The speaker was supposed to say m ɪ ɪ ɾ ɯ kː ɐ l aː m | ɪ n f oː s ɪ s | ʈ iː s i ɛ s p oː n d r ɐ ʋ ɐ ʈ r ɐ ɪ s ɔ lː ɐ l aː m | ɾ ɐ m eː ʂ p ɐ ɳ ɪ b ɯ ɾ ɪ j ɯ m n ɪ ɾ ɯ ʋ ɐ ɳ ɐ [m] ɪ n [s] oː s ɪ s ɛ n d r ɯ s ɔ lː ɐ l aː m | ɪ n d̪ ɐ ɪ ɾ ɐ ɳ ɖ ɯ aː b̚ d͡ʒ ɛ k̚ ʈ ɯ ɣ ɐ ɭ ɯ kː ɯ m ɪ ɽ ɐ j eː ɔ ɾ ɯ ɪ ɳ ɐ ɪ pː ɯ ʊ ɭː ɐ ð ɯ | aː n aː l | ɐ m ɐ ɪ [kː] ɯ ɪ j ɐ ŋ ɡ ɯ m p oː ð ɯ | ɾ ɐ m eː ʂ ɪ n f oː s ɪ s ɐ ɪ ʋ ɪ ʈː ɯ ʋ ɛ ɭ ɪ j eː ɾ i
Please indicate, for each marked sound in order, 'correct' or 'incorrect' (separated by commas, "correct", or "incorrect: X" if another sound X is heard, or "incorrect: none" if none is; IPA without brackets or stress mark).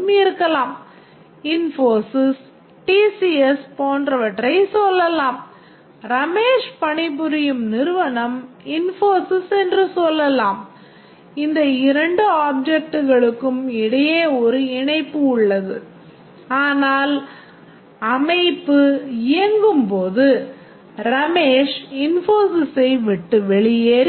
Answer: correct, incorrect: f, incorrect: pː